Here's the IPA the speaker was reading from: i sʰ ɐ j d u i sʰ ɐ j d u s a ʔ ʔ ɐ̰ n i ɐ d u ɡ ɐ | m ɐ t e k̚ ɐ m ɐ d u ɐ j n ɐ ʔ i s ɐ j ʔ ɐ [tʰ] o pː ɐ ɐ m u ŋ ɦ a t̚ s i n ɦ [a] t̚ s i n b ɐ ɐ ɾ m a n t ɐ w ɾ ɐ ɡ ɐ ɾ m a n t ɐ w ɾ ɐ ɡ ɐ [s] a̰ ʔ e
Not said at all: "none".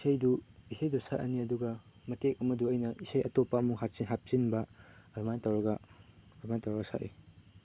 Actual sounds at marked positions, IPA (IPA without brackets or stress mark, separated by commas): t, a, s